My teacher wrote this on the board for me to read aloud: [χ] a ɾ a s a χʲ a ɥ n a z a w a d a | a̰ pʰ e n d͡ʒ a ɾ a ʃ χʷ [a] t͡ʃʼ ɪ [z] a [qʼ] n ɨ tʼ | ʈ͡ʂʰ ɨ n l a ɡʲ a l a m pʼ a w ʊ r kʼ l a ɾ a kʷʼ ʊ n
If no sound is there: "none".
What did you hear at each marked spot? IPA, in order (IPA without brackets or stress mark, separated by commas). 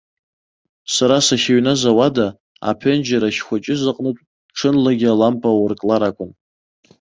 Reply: s, a, z, qʼ